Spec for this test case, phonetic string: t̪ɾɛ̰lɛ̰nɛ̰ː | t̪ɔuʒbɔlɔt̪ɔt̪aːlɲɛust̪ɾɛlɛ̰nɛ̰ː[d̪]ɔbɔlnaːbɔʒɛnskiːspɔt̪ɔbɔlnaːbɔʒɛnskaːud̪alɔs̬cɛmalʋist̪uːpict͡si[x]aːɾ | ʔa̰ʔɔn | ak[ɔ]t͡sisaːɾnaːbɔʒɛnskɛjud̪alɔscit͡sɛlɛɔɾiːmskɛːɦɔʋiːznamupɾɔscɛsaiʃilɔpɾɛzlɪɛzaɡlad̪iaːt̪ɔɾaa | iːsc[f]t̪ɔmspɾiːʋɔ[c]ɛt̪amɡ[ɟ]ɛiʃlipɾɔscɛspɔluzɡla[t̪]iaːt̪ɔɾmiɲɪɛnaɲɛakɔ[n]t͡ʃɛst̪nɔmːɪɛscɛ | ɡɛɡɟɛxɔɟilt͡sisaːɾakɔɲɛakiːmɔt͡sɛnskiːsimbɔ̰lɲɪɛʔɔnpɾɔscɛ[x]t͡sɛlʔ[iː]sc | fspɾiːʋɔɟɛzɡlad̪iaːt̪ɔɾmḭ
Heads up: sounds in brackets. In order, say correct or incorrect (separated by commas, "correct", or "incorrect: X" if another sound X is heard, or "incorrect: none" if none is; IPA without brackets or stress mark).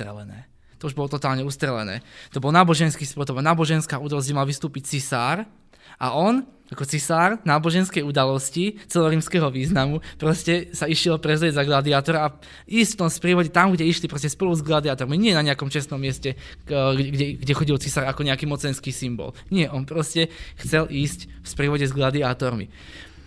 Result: incorrect: t̪, incorrect: s, correct, correct, incorrect: ɟ, correct, incorrect: d̪, incorrect: m, correct, correct